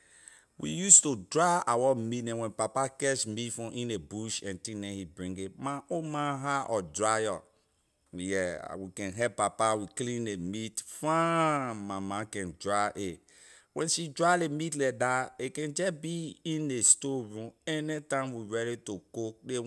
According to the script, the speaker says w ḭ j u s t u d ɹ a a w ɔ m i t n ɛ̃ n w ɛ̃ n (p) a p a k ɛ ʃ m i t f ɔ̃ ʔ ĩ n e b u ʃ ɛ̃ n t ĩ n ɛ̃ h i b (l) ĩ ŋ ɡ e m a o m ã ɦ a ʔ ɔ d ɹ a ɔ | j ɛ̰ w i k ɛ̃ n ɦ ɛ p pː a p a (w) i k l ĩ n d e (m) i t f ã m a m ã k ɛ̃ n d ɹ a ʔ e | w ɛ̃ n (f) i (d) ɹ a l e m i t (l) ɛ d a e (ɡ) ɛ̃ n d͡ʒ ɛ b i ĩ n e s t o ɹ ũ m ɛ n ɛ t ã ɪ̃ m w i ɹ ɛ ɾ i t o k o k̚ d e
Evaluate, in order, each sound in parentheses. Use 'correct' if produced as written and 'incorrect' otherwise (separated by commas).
correct, incorrect, correct, correct, incorrect, correct, correct, incorrect